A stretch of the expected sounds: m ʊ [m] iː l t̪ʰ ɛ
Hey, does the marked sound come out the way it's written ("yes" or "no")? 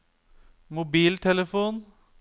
no